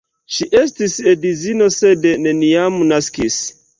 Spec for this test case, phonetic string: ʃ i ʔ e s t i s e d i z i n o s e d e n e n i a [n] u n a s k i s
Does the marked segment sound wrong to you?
yes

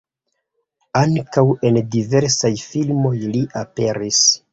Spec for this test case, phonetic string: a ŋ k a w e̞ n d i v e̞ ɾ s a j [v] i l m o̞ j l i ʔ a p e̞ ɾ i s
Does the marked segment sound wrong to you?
yes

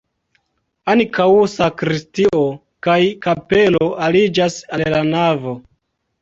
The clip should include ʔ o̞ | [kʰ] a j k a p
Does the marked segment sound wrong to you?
yes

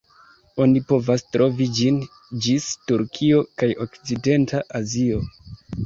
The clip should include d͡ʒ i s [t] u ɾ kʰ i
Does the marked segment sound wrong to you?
no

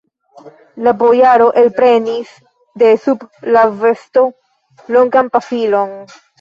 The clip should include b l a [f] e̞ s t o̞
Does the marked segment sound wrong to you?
yes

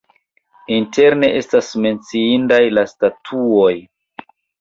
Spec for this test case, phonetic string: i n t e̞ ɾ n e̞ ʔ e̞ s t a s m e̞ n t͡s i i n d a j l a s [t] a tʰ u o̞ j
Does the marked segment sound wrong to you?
no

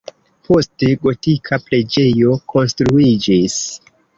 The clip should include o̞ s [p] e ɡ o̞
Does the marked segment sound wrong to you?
yes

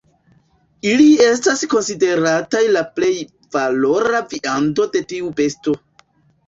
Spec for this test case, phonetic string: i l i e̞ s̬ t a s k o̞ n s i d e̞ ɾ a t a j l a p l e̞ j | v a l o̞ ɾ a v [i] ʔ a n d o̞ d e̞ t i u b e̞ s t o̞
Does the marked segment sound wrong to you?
no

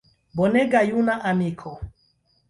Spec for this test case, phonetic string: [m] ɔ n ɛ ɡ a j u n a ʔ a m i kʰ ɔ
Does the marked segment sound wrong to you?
yes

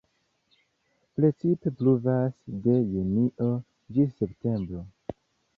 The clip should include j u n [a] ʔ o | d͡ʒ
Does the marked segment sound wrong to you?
yes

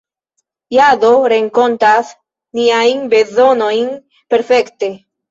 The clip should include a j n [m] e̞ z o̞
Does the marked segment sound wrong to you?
yes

